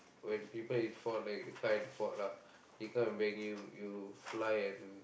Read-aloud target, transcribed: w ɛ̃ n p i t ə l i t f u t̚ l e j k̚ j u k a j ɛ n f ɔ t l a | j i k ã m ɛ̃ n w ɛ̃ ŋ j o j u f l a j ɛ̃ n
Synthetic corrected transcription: w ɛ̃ n p i p ə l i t f ɔ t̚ l a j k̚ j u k a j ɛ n f ɔ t l a | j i k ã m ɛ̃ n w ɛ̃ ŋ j u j u f l a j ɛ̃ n